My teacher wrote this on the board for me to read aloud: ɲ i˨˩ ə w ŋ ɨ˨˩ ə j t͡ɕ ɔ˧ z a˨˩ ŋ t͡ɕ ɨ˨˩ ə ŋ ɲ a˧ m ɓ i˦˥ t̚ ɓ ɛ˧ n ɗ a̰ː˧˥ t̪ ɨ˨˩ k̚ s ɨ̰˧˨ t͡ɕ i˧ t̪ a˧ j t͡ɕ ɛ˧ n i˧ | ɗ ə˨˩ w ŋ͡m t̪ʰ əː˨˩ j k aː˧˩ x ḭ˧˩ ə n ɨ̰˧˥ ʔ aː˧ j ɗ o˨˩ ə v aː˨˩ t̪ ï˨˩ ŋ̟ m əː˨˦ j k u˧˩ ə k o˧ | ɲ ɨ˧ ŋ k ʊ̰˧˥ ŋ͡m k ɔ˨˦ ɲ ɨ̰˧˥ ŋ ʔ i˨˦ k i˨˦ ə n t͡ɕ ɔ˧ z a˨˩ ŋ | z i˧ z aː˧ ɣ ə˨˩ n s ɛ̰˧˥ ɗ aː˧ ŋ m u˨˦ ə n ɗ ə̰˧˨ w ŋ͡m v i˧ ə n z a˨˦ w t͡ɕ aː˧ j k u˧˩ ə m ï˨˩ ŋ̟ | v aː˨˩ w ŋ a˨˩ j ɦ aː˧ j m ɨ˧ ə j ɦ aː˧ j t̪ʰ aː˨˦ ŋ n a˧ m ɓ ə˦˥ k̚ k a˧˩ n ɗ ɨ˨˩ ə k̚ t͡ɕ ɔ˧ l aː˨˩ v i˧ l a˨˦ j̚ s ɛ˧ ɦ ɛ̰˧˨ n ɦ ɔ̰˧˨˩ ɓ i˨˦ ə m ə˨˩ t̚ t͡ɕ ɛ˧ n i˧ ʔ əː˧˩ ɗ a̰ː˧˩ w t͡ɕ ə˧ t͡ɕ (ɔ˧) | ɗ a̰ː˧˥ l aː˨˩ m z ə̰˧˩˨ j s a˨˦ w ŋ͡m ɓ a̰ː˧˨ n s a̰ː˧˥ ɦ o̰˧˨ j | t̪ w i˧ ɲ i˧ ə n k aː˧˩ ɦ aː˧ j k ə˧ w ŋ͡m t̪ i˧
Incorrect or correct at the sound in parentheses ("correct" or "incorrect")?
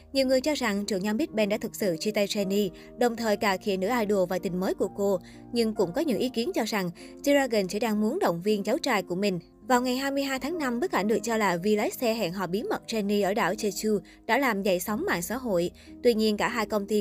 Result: incorrect